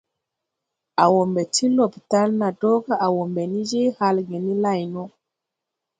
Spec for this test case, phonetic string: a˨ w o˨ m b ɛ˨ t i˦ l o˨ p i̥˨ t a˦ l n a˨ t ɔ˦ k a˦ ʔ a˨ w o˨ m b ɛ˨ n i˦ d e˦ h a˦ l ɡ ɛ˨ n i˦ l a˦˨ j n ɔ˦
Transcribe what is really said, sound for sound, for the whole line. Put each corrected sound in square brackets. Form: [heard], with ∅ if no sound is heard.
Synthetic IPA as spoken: a˨ w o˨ m b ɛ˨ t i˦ l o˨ p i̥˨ t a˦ l n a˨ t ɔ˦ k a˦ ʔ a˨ w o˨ m b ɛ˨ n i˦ [d͡ʒ] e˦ h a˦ l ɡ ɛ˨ n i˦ l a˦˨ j n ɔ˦